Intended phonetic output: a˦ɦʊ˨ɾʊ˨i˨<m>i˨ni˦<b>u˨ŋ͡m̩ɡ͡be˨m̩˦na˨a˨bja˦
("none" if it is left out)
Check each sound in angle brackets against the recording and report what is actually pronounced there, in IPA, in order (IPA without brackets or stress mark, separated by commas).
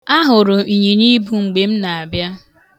ɲ, b